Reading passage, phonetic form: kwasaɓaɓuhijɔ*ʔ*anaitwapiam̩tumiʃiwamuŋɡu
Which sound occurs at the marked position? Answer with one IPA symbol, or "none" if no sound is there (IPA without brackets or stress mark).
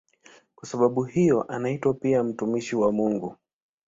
ʔ